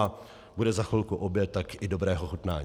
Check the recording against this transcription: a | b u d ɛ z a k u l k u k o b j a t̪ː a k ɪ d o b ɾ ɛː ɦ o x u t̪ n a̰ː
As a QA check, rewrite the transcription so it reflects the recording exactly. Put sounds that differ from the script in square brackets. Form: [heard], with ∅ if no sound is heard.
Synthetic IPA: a | b u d ɛ z a [x] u l k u [ʔ] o b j [ɛ] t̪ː a k ɪ d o b ɾ ɛː ɦ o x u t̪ n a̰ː